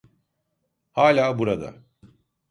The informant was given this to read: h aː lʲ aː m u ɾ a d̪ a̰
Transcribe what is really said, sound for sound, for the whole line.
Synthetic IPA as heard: h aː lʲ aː b u ɾ a d̪ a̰